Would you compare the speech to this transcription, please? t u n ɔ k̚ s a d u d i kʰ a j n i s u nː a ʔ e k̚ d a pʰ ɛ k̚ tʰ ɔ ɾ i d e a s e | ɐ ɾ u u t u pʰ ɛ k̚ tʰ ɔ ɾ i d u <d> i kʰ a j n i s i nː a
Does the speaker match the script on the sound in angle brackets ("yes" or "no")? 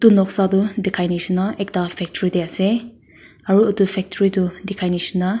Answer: yes